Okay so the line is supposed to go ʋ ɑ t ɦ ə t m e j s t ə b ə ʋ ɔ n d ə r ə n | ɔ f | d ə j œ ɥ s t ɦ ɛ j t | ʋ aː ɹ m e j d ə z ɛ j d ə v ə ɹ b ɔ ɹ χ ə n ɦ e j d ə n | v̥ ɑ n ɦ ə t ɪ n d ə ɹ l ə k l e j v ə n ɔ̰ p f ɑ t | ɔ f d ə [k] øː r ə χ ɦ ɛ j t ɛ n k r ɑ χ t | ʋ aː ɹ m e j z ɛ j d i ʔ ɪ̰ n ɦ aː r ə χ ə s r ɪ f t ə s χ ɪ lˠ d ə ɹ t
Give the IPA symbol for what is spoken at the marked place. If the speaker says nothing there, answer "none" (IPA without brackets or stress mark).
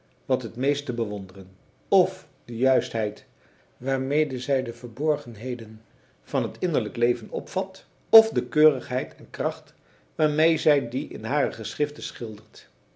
k